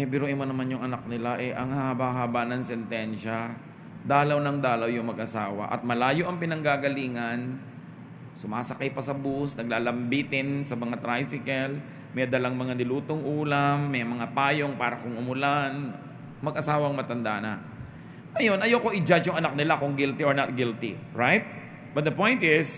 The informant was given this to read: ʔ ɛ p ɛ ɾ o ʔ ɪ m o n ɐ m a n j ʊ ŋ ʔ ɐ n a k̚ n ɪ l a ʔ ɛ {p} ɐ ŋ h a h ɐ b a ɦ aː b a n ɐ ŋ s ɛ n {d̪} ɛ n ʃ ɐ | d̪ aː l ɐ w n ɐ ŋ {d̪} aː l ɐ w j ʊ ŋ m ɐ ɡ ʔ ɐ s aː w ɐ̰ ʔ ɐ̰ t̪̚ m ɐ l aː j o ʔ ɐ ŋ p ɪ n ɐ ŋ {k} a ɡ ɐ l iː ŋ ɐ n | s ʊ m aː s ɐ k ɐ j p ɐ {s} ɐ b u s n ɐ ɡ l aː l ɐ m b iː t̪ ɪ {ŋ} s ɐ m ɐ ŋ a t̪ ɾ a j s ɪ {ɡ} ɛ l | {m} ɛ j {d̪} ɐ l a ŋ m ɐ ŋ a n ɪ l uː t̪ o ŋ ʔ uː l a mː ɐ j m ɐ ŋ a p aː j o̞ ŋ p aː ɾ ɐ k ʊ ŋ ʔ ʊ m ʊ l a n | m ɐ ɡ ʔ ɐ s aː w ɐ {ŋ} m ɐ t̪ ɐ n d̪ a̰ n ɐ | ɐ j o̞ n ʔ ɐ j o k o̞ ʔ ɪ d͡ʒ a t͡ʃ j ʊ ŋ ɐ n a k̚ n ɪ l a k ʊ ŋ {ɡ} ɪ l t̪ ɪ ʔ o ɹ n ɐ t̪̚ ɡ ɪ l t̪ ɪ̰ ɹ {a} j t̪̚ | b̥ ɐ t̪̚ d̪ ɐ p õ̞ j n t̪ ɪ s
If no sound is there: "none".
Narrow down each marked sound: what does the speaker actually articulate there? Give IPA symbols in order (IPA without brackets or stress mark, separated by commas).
ʔ, t̪, d̪, ɡ, s, n, k, m, d̪, ŋ, ɡ, a